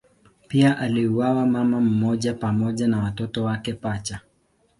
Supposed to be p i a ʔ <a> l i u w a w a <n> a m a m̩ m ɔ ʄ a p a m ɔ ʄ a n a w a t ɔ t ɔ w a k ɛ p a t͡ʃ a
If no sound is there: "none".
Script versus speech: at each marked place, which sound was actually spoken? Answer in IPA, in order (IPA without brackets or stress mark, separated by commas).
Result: a, m